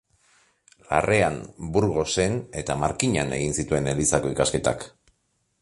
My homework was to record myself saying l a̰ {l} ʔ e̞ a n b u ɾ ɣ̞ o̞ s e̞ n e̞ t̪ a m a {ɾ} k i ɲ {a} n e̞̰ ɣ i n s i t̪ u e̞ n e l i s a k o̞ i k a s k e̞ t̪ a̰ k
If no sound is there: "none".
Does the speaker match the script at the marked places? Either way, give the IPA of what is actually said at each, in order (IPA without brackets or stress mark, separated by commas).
r, ɾ, a